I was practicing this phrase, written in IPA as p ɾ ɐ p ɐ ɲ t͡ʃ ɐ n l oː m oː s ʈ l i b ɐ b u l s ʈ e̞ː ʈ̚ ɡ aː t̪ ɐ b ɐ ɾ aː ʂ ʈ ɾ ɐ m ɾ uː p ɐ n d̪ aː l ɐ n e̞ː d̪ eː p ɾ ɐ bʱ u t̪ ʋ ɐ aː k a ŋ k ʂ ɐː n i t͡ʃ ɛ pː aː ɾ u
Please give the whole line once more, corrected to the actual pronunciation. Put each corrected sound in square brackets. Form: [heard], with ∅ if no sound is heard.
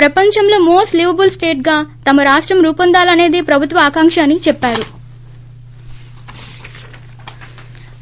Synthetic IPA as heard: p ɾ ɐ p ɐ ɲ t͡ʃ ɐ [m] l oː m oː s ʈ l i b ɐ b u l s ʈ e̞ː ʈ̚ ɡ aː t̪ ɐ [m] ɐ ɾ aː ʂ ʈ ɾ ɐ m ɾ uː p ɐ n d̪ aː l ɐ n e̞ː d̪ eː p ɾ ɐ bʱ u t̪ ʋ ɐ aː k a ŋ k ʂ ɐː n i t͡ʃ ɛ pː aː ɾ u

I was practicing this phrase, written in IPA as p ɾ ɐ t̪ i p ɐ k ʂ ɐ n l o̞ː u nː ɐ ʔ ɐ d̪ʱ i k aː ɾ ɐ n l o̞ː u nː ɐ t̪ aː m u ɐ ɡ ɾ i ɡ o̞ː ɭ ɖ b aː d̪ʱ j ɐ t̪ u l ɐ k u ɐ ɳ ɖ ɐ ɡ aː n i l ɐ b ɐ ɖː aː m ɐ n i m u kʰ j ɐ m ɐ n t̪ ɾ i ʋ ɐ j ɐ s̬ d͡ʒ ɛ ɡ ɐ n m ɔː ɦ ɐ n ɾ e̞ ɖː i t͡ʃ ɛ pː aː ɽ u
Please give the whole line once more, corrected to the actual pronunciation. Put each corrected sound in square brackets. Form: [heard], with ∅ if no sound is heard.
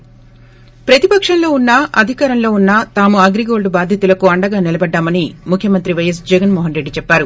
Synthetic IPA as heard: p ɾ ɐ t̪ i p ɐ k ʂ ɐ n l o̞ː u nː ɐ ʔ ɐ d̪ʱ i k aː ɾ ɐ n l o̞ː u nː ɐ t̪ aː m u ɐ ɡ ɾ i ɡ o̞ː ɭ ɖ b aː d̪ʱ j ɐ t̪ u l ɐ k u ɐ ɳ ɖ ɐ ɡ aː n i l ɐ b ɐ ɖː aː m ɐ n i m u kʰ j ɐ m ɐ n t̪ ɾ i ʋ ɐ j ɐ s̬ d͡ʒ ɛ ɡ ɐ n m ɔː ɦ ɐ n ɾ e̞ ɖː i t͡ʃ ɛ pː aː [ɾ] u

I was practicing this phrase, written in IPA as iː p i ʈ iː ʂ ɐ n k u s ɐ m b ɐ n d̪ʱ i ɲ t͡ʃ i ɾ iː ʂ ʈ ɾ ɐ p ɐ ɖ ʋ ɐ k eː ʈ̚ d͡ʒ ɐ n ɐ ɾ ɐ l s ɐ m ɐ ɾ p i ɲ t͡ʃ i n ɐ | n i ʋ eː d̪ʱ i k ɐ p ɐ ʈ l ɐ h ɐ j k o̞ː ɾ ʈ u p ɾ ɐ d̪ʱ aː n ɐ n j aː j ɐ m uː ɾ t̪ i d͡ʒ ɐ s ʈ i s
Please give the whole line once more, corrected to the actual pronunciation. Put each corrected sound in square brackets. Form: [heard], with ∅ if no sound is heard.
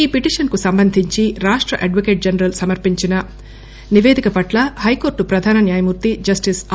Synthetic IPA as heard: iː p i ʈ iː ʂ ɐ n k u s ɐ m b ɐ n d̪ʱ i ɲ t͡ʃ i ɾ [aː] ʂ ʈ ɾ ɐ [ʔ] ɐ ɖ ʋ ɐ k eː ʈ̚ d͡ʒ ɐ n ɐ ɾ ɐ l s ɐ m ɐ ɾ p i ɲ t͡ʃ i n ɐ | n i ʋ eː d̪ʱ i k ɐ p ɐ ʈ l ɐ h ɐ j k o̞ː ɾ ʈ u p ɾ ɐ d̪ʱ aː n ɐ n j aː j ɐ m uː ɾ t̪ i d͡ʒ ɐ s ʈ i s

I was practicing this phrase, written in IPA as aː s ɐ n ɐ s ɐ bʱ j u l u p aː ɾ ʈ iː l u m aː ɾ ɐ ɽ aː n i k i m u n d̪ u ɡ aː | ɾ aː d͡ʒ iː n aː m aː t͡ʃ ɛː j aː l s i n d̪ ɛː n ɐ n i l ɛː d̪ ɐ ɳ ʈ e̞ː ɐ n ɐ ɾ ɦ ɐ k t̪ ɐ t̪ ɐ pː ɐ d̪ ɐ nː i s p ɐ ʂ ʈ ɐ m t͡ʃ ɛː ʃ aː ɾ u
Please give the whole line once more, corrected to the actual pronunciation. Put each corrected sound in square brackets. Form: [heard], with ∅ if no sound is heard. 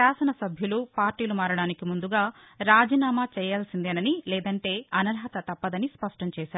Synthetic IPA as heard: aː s ɐ n ɐ s ɐ bʱ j u l u p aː ɾ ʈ iː l u m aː ɾ ɐ ɽ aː n i k i m u n d̪ u ɡ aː | ɾ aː d͡ʒ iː n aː m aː t͡ʃ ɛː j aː l s i n d̪ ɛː n ɐ n i l ɛː d̪ ɐ ɳ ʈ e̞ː ɐ n ɐ ɾ ɦ ɐ [∅] t̪ ɐ t̪ ɐ pː ɐ d̪ ɐ [n] i s p ɐ ʂ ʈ ɐ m t͡ʃ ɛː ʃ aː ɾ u

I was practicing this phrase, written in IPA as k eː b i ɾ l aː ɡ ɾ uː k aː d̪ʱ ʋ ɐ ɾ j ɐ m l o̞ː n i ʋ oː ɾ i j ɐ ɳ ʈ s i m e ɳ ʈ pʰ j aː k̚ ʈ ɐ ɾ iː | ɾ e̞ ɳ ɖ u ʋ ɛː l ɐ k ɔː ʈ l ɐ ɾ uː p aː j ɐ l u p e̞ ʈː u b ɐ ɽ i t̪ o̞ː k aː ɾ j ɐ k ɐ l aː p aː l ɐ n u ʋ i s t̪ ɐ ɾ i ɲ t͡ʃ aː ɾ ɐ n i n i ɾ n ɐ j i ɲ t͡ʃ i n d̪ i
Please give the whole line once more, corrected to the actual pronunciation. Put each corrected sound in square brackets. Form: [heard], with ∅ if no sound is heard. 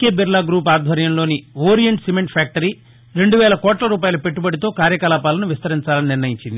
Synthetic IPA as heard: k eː b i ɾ l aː ɡ ɾ uː [p] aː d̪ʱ ʋ ɐ ɾ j ɐ m l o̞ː n i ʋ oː ɾ i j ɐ ɳ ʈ s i m e ɳ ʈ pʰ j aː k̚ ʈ ɐ ɾ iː | ɾ e̞ ɳ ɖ u ʋ ɛː l ɐ k ɔː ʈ l ɐ ɾ uː p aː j ɐ l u p e̞ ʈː u b ɐ ɽ i t̪ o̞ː k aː ɾ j ɐ k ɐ l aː p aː l ɐ n u ʋ i s t̪ ɐ ɾ i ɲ t͡ʃ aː [l] ɐ n i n i ɾ n ɐ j i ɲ t͡ʃ i n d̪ i

